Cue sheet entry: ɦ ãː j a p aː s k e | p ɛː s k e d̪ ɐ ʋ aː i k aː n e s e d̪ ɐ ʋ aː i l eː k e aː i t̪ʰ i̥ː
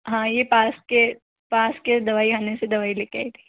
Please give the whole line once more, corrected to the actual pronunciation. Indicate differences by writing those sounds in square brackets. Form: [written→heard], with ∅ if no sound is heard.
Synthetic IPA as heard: ɦ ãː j [a→e] p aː s k e | p [ɛː→aː] s k e d̪ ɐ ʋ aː i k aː n e s e d̪ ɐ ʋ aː i l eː k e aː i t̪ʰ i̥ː